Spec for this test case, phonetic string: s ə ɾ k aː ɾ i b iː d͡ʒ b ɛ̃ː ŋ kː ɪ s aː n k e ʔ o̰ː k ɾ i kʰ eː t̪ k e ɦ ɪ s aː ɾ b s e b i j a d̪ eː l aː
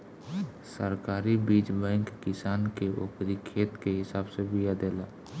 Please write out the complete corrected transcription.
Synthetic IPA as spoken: s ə ɾ k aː ɾ i b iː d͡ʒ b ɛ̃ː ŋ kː ɪ s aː n k e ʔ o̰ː k ɾ i kʰ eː t̪ k e ɦ ɪ s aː b s e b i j a d̪ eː l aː